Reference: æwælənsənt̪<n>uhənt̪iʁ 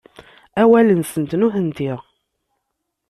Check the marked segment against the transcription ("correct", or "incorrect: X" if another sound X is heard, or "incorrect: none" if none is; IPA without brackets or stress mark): correct